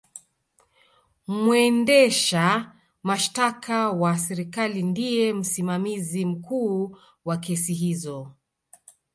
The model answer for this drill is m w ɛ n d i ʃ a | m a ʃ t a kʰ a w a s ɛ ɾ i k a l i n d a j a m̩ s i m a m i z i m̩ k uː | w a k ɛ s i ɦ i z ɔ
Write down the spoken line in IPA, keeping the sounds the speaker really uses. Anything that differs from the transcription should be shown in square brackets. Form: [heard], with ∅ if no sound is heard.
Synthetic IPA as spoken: m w ɛ n d [ɛ] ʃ a | m a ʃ t a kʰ a w a s ɛ ɾ i k a l i n d [i] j [ɛ] m̩ s i m a m i z i m̩ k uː | w a k ɛ s i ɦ i z ɔ